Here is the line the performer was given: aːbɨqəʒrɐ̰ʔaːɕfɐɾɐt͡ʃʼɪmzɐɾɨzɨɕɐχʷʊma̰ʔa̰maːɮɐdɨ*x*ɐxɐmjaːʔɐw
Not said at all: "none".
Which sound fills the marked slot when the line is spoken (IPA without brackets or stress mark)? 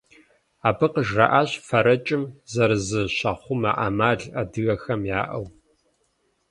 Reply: ɣ